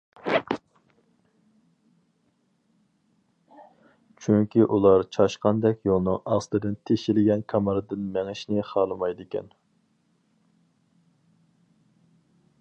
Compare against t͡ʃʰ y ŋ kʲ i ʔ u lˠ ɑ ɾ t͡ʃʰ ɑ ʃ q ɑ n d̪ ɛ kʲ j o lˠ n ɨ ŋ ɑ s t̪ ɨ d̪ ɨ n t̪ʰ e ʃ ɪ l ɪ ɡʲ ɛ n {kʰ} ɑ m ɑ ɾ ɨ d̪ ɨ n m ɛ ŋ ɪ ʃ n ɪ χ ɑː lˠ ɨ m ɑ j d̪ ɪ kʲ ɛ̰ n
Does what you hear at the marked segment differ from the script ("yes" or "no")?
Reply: no